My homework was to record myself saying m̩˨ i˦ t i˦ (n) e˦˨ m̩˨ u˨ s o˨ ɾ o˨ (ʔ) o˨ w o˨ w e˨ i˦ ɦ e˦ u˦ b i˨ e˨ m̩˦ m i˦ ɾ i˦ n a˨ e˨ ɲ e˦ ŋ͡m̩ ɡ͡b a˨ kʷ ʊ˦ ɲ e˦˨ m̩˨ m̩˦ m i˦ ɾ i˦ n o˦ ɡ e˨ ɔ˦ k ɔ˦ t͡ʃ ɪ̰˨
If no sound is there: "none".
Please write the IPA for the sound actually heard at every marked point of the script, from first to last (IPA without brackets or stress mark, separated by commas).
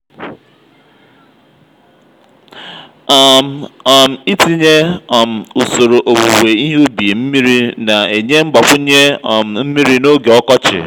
ɲ, ʔ